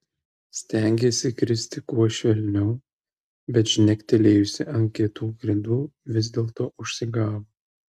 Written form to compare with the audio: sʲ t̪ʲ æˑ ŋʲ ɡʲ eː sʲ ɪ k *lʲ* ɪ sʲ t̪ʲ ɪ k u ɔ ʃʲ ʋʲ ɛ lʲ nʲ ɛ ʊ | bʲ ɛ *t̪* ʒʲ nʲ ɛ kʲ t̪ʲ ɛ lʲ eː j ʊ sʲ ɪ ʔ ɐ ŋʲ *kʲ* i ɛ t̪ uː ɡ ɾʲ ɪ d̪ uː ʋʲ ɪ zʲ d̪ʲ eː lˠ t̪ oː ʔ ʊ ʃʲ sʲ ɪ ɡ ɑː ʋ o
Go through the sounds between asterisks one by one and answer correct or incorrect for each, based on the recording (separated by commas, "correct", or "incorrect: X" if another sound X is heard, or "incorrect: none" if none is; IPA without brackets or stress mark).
incorrect: ɾʲ, correct, correct